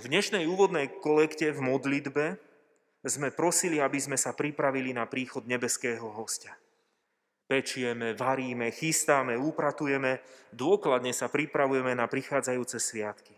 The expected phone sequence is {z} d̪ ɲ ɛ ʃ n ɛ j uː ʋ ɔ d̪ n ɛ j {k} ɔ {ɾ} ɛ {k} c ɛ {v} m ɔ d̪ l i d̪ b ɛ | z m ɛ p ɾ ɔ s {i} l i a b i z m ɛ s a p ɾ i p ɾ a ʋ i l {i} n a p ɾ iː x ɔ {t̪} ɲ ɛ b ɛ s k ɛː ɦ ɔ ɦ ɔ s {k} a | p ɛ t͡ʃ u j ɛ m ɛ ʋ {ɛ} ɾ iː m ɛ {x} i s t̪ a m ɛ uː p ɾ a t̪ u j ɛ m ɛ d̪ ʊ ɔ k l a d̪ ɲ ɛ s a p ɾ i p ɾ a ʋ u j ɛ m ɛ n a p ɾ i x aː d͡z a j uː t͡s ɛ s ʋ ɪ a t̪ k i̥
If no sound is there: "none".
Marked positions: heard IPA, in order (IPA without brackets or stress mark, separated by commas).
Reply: v, k, l, k, v, i, i, d̪, c, a, x